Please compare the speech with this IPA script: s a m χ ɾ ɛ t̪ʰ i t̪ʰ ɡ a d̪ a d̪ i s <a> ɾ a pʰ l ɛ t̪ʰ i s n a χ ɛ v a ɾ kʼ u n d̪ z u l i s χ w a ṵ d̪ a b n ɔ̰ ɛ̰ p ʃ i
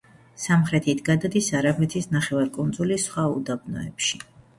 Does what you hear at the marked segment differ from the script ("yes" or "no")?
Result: no